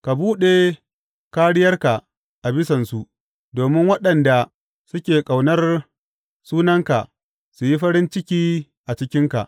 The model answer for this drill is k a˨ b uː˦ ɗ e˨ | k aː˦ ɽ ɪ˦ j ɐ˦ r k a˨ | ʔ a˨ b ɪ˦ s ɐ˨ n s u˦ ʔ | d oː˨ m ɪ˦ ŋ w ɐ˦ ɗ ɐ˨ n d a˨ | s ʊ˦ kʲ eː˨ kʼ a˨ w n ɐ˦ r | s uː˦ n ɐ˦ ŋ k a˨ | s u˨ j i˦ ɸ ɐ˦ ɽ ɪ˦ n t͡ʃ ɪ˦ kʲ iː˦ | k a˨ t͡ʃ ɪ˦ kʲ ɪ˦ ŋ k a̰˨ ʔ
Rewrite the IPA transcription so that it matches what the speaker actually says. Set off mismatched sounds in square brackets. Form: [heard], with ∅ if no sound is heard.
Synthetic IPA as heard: k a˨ b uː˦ ɗ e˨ | k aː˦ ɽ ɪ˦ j ɐ˦ r k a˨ | ʔ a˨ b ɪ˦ s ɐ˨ n s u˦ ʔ | d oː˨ m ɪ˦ ŋ w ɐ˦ ɗ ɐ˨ n d a˨ | s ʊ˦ kʲ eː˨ kʼ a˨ w n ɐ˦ r | s uː˦ n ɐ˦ ŋ k a˨ | s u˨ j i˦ ɸ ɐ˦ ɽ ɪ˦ n t͡ʃ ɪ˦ kʲ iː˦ | [ʔ] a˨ t͡ʃ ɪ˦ kʲ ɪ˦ ŋ k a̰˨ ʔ

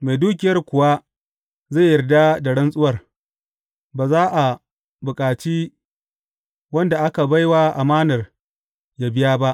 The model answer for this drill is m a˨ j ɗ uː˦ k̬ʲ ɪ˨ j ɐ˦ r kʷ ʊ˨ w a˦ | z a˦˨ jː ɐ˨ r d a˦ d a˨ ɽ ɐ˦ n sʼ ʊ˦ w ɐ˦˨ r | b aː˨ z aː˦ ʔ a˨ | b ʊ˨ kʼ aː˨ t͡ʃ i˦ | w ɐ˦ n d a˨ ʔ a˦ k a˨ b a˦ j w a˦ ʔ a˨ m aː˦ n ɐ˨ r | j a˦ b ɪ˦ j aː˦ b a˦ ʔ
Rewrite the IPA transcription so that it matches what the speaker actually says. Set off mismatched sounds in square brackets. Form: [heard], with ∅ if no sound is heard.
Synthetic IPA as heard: m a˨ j [d] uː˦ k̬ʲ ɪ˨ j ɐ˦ r kʷ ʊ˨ w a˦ | z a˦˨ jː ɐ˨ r d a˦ d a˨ ɽ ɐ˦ n sʼ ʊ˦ w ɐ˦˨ r | b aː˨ z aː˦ ʔ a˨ | b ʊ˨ kʼ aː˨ t͡ʃ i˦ | w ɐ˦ n d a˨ ʔ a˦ k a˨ b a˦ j w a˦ ʔ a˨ m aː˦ n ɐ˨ r | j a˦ b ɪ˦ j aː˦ b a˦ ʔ

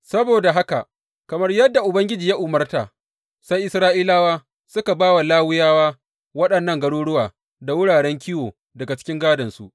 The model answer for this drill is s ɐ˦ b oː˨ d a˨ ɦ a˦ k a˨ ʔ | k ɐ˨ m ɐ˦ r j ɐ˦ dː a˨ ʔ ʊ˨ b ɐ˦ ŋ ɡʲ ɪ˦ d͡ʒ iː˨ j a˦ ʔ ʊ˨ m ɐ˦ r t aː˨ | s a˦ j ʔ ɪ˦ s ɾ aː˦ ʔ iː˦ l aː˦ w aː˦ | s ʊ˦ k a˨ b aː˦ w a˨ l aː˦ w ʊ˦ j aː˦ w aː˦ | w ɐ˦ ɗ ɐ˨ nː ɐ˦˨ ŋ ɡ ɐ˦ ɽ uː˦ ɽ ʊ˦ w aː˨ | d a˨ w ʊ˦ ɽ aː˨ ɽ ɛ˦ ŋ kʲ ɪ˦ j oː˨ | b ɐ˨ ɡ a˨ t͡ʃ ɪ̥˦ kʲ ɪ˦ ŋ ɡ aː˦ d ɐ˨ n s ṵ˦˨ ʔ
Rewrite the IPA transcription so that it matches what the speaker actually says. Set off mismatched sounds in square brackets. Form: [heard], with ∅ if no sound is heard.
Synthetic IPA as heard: s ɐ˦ b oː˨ d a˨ ɦ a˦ k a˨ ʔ | k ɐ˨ m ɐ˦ r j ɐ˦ dː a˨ ʔ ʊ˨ b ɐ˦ ŋ ɡʲ ɪ˦ d͡ʒ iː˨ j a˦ ʔ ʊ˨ m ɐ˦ r t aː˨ | s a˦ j ʔ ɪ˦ s ɾ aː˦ ʔ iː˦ l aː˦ w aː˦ | s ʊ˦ k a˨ b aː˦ w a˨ l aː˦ w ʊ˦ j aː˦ w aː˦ | w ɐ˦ ɗ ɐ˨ nː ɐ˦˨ ŋ ɡ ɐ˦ ɽ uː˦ ɽ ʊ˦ w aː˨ | d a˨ w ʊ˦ ɽ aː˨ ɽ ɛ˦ ŋ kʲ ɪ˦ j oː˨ | [d] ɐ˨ ɡ a˨ t͡ʃ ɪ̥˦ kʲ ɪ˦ ŋ ɡ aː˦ d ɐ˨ n s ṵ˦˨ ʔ

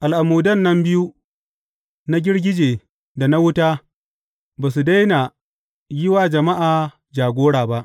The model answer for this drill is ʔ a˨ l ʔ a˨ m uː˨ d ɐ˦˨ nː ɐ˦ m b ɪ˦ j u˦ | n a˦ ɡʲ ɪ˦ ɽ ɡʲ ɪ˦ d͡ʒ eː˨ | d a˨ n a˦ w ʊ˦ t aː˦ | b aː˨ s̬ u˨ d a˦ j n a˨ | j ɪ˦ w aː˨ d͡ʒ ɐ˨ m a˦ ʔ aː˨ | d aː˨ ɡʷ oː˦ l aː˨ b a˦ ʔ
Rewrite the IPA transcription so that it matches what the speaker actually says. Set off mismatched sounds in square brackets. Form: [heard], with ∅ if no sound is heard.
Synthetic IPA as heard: ʔ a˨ l ʔ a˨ m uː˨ d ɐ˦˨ nː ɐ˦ m b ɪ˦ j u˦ | n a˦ ɡʲ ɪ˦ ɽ ɡʲ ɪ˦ d͡ʒ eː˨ | d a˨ n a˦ w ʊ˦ t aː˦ | b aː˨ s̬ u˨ d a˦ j n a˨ | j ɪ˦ w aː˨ d͡ʒ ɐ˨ m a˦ ʔ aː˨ | [d͡ʒ] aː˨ ɡʷ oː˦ [ɽ] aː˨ b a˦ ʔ

